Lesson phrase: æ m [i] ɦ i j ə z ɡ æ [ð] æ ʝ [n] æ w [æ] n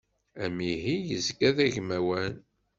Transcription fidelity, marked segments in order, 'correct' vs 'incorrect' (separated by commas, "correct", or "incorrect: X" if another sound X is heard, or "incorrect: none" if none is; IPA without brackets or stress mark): correct, correct, incorrect: m, correct